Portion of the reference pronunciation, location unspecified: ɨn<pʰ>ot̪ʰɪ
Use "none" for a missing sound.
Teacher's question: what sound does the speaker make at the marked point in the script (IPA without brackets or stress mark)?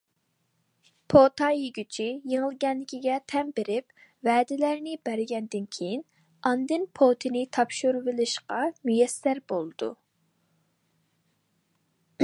pʰ